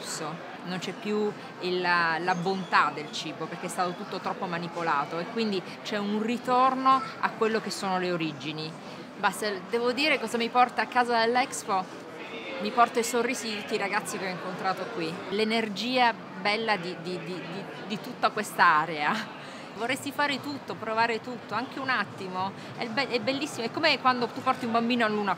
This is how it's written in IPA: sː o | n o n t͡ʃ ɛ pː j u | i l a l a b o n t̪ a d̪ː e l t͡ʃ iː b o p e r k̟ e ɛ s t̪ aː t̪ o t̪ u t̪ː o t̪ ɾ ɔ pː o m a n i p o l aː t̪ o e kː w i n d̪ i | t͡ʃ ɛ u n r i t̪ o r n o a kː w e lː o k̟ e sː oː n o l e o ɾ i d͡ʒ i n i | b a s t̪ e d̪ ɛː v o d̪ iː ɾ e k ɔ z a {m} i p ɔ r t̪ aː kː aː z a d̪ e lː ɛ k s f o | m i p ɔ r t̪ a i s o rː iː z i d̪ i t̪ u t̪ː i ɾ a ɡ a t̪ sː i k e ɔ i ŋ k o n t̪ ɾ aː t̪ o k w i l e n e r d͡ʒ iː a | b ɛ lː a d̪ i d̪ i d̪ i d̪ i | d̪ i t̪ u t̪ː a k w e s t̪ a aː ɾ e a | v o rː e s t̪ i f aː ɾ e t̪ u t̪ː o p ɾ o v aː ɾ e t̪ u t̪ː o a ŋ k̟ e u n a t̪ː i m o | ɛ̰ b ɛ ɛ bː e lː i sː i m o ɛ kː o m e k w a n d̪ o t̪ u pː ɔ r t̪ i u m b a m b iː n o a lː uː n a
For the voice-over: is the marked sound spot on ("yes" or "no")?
yes